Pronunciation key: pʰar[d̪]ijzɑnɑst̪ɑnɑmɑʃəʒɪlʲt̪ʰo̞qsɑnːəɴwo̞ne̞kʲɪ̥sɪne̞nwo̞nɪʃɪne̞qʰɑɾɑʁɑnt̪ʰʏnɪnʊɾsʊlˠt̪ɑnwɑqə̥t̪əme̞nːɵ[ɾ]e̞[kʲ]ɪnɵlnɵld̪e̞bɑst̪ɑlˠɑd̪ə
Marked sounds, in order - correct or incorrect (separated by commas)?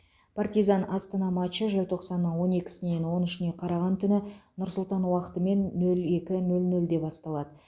incorrect, incorrect, correct